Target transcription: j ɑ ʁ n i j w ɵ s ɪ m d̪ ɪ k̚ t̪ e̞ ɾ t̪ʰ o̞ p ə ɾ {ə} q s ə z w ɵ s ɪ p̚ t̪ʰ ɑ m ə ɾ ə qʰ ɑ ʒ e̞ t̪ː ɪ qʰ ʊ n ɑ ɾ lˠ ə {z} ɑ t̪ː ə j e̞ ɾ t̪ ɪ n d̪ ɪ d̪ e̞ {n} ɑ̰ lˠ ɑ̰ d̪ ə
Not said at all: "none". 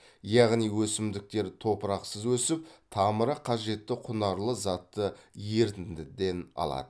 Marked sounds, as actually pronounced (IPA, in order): ɑ, z, n

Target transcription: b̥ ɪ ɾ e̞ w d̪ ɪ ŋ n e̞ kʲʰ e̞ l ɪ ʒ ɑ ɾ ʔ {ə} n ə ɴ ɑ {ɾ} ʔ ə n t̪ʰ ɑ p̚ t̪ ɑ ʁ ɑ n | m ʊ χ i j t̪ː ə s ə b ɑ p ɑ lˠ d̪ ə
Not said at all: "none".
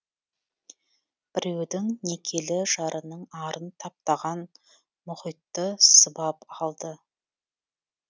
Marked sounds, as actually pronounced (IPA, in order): ə, ɾ

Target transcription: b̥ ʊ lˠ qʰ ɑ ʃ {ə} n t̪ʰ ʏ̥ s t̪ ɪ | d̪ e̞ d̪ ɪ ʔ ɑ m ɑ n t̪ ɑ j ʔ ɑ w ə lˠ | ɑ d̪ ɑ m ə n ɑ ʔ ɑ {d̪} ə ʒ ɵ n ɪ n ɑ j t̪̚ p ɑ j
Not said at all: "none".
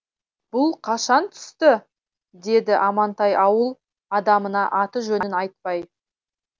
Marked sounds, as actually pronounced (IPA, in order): ɑ, t̪

